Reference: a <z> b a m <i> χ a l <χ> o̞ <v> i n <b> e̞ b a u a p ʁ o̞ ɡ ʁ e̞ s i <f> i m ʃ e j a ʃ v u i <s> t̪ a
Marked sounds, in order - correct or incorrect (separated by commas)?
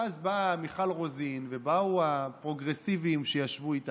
correct, correct, incorrect, incorrect, incorrect, incorrect, incorrect